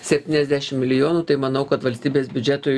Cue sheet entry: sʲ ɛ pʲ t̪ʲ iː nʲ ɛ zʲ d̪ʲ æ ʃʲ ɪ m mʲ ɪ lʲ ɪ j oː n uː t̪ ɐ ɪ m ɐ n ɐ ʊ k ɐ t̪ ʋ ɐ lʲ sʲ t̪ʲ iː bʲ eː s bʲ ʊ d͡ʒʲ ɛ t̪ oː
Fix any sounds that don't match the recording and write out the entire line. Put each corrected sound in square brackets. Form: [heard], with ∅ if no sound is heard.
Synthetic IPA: sʲ ɛ pʲ t̪ʲ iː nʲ ɛ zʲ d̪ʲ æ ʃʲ ɪ m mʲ ɪ lʲ ɪ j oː n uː t̪ ɐ ɪ m ɐ n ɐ ʊ k ɐ t̪ ʋ ɐ lʲ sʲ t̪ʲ iː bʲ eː s bʲ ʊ d͡ʒʲ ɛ t̪ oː